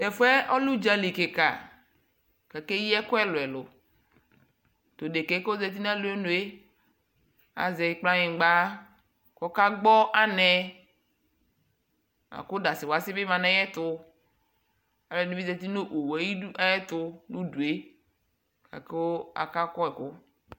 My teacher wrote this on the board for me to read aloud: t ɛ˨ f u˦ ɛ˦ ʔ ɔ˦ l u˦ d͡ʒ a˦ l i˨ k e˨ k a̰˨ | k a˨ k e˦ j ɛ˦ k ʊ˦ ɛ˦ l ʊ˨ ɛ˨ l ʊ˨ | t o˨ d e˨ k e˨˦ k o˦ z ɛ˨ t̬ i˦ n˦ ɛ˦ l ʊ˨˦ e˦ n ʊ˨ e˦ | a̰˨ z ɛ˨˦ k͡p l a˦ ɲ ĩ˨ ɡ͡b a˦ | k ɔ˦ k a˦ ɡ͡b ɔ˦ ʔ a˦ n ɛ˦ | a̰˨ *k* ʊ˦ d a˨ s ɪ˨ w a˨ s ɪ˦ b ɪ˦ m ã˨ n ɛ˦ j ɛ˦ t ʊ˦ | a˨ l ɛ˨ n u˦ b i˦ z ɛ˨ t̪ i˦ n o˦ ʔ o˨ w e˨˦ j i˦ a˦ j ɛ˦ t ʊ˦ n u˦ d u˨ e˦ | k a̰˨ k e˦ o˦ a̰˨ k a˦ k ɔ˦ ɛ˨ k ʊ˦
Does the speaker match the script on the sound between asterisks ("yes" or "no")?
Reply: yes